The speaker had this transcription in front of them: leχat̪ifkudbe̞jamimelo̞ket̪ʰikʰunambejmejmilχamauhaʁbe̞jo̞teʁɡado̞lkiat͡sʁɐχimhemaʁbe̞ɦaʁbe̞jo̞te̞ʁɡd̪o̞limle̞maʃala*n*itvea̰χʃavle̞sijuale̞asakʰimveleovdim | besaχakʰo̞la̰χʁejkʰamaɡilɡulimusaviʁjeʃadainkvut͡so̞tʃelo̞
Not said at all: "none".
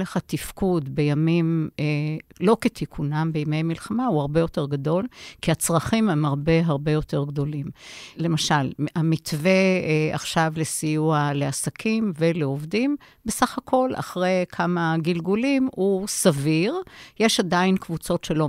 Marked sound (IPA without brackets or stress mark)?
m